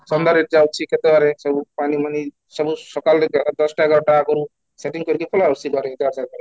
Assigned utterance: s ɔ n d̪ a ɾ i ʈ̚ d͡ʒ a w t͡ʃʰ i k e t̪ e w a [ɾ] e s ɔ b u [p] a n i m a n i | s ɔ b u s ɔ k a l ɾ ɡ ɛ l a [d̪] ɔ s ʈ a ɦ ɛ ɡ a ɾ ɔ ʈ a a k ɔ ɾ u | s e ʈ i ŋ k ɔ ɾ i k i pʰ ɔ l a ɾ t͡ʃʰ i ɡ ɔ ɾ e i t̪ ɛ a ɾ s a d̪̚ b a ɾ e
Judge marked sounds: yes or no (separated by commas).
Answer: yes, yes, yes